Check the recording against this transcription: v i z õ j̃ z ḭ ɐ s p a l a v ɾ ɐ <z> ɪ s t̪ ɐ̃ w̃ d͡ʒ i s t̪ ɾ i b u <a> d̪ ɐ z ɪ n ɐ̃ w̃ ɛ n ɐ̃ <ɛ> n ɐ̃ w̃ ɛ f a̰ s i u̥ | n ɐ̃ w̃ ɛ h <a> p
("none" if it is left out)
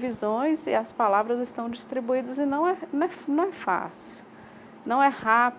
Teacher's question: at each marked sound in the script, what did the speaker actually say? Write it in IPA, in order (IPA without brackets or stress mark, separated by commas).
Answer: z, i, ɛ, a